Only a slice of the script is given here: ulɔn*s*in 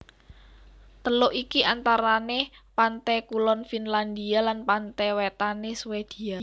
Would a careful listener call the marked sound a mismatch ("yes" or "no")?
yes